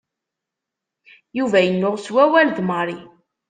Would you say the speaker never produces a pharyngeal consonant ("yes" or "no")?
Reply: yes